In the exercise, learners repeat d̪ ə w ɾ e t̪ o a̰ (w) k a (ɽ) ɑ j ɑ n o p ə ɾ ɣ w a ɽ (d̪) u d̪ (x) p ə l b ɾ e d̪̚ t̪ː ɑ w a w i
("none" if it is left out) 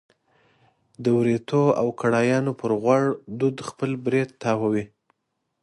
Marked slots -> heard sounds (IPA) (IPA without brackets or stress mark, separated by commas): w, ɽ, d̪, x